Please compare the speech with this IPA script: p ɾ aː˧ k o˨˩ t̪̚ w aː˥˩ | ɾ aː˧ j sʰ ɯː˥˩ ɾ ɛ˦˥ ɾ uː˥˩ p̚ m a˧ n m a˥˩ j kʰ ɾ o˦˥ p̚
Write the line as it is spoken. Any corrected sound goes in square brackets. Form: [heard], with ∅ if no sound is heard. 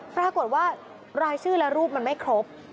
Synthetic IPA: p ɾ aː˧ k o˨˩ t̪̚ w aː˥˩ | ɾ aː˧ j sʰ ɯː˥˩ [l] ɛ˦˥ ɾ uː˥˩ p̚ m a˧ n m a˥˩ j kʰ ɾ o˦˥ p̚